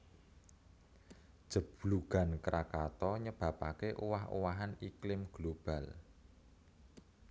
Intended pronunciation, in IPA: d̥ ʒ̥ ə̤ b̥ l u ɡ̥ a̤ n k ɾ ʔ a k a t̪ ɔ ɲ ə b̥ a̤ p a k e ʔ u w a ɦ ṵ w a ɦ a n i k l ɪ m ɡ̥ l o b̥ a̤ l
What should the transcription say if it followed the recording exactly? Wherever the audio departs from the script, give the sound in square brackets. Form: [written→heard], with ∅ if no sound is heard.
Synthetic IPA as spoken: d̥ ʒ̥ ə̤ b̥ l u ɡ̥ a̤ n k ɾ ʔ a k a t̪ ɔ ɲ ə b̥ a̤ p a k e ʔ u w a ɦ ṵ w a ɦ a n i k l ɪ m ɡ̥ l o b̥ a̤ l